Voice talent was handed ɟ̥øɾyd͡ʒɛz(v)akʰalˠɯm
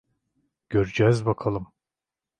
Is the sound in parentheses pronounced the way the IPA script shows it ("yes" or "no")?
no